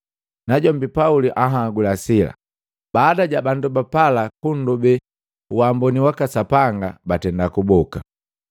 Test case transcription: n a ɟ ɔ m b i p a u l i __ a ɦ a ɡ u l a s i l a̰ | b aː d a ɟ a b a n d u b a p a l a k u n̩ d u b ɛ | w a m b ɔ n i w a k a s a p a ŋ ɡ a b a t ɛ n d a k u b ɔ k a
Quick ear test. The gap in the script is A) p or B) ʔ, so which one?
B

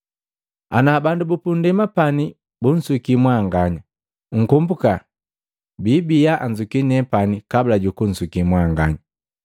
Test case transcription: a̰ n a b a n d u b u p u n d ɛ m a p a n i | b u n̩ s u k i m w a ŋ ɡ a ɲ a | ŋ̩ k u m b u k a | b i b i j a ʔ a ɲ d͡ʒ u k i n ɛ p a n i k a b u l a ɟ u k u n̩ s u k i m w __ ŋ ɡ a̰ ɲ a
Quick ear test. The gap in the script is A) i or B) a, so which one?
B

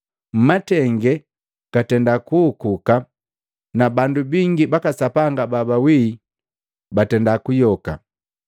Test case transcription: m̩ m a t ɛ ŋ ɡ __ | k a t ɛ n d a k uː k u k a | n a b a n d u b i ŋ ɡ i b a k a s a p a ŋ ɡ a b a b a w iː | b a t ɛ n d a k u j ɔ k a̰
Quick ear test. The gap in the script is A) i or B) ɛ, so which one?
B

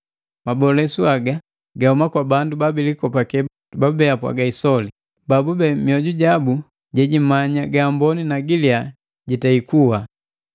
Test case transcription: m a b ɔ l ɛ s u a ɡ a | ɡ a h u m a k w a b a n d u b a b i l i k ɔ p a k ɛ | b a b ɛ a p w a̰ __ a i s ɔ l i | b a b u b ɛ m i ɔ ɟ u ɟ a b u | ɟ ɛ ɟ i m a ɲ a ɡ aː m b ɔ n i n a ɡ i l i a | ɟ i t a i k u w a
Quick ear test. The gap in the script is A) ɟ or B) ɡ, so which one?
B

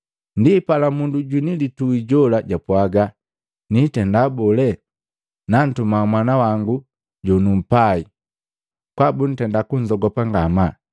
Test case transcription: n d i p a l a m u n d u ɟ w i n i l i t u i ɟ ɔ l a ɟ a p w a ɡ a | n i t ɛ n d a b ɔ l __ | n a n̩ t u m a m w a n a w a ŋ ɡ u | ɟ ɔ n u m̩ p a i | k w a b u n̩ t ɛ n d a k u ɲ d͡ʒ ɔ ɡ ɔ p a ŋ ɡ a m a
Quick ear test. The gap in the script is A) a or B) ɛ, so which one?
B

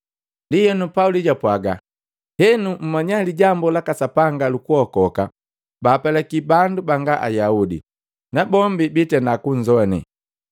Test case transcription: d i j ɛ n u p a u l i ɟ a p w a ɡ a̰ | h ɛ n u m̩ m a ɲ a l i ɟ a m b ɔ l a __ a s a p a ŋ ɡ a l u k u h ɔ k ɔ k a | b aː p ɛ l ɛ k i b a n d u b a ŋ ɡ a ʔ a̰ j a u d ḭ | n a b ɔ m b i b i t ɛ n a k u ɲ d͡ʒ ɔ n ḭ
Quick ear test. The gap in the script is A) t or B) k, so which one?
B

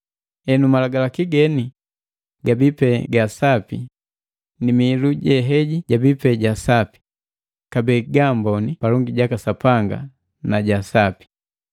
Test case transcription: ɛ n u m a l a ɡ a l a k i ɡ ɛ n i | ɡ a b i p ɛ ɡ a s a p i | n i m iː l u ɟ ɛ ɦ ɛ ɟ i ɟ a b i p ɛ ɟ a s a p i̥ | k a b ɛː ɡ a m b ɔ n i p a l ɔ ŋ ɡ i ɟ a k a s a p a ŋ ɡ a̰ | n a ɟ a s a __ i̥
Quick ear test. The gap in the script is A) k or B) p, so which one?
B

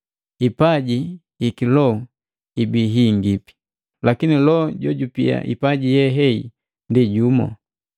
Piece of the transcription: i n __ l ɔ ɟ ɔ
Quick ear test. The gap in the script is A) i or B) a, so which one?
A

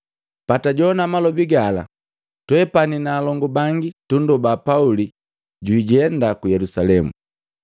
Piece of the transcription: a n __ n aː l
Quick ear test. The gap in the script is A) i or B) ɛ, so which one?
A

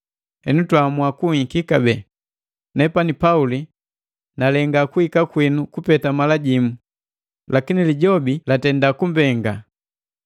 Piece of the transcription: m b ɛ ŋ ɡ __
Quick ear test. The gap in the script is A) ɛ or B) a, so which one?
B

